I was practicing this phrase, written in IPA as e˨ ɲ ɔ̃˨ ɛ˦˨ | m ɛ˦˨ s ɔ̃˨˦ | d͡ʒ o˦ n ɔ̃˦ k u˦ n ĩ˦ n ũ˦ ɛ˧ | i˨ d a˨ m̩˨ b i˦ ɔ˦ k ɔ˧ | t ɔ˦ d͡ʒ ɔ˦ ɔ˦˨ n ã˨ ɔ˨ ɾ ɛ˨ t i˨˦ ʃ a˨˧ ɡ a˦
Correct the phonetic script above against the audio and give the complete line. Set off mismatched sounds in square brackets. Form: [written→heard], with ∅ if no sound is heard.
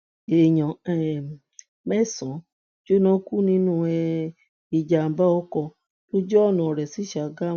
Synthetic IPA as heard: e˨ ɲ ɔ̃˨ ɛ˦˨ | m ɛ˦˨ s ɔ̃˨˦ | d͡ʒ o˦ n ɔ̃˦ k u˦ n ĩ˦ n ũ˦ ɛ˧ | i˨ [d→d͡ʒ] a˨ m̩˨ b [i˦→a˦] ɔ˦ k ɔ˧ | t [ɔ˦→o˦] d͡ʒ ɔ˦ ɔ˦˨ n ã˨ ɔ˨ ɾ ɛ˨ [t→s] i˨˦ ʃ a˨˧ ɡ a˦